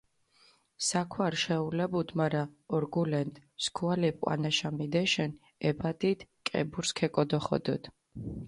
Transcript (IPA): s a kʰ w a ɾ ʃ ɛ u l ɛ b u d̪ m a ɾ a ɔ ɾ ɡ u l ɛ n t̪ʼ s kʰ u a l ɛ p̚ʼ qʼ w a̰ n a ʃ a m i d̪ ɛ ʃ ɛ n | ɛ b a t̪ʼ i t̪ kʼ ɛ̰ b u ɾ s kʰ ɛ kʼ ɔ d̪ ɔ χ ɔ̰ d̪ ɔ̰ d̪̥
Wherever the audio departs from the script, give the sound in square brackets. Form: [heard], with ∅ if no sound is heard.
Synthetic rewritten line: s a kʰ w a ɾ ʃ ɛ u l ɛ b u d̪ m a ɾ a ɔ ɾ ɡ u l ɛ n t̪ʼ s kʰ u a l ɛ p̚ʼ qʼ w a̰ n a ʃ a m i d̪ ɛ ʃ ɛ n | ɛ b a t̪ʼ i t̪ kʼ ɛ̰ b u ɾ s kʰ ɛ kʼ ɔ d̪ ɔ χ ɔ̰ d̪ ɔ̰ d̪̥